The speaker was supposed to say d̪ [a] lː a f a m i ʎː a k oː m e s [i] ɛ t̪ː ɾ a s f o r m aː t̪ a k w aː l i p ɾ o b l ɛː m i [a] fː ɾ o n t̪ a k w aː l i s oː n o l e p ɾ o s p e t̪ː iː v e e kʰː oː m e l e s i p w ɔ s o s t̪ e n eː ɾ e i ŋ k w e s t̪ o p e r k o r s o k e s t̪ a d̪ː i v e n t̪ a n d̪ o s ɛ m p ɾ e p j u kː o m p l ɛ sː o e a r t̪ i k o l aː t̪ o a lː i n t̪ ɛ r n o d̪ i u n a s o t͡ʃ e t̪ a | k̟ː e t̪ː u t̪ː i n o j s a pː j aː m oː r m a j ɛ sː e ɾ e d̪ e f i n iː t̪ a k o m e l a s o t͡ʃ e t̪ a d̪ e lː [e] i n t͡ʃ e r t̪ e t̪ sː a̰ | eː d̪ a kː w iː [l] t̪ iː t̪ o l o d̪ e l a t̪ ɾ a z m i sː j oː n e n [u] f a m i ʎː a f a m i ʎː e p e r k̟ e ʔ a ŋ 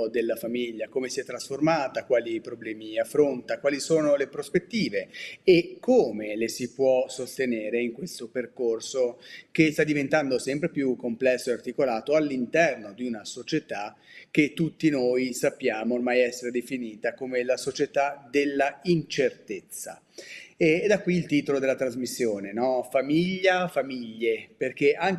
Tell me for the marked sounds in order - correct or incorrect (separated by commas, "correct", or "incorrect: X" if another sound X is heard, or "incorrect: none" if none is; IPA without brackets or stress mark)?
incorrect: e, correct, correct, incorrect: a, correct, incorrect: ɔ